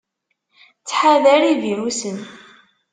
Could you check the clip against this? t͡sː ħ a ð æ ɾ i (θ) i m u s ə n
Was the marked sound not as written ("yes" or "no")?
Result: yes